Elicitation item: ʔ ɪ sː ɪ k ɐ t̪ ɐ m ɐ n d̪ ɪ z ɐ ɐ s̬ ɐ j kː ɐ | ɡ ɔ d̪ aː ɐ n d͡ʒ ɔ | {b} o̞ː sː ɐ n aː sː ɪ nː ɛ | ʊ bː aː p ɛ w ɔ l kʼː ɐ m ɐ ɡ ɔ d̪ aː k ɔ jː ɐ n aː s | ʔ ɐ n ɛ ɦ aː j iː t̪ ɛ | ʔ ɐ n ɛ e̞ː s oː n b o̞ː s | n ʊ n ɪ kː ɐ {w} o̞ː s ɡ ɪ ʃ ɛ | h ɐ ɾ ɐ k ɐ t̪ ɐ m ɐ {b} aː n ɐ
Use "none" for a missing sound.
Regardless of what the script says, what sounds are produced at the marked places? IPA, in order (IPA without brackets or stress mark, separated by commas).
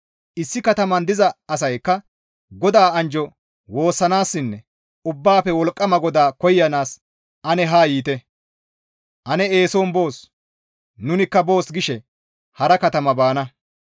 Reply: w, b, b